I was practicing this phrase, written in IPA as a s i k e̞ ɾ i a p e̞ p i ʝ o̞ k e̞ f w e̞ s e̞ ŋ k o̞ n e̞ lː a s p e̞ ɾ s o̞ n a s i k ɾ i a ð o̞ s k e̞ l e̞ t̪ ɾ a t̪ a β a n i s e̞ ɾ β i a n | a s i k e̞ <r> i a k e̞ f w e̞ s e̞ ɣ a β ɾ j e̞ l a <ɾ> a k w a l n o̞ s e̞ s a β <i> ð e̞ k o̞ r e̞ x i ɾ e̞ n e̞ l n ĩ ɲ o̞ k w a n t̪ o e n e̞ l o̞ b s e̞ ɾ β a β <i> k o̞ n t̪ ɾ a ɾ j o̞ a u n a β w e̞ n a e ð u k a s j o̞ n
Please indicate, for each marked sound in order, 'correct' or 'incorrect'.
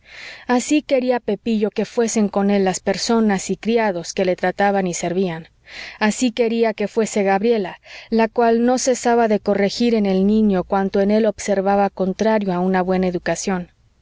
incorrect, incorrect, incorrect, incorrect

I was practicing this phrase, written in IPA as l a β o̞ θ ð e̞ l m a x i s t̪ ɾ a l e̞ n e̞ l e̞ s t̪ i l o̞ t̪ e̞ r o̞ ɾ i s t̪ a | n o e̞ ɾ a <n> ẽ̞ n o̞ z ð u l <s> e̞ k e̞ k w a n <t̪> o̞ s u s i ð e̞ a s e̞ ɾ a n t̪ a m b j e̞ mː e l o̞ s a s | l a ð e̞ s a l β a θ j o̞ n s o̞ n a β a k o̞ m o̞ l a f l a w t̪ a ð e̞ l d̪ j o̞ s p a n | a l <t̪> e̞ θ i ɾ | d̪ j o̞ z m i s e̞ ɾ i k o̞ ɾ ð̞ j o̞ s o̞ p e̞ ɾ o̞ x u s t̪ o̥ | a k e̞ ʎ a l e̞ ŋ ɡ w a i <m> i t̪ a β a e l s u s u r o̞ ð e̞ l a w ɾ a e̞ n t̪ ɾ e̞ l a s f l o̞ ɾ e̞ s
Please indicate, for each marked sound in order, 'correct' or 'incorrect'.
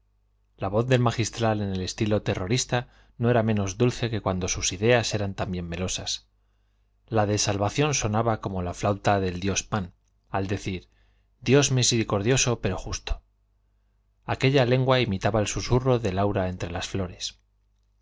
incorrect, incorrect, incorrect, incorrect, correct

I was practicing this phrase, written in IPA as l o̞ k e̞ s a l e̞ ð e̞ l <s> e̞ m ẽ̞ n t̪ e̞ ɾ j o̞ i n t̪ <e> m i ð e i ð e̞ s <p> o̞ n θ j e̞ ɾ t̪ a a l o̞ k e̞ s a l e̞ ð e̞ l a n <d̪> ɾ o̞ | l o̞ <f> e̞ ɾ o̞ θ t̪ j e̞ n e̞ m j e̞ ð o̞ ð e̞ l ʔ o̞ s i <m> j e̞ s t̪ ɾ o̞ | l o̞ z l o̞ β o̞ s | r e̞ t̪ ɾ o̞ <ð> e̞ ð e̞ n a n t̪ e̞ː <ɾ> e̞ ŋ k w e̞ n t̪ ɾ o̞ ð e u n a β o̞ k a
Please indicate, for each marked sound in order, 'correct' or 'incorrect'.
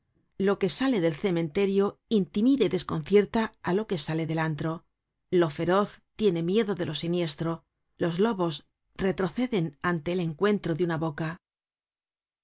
incorrect, incorrect, incorrect, incorrect, correct, incorrect, incorrect, incorrect

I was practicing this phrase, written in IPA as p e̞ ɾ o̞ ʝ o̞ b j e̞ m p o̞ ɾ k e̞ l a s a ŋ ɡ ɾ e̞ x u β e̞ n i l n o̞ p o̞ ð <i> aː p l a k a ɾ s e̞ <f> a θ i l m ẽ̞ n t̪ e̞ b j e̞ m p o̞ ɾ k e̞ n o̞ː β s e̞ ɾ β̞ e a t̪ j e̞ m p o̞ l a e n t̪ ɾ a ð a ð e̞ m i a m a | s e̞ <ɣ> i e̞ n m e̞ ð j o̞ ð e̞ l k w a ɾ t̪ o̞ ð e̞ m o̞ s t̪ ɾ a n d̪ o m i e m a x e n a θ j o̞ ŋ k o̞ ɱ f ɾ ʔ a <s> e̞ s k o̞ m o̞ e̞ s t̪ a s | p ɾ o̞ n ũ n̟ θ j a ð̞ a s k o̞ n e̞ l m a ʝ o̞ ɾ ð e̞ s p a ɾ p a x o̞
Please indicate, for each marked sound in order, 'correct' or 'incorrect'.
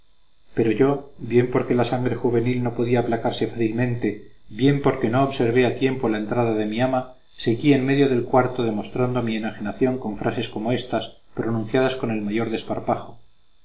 correct, correct, correct, correct

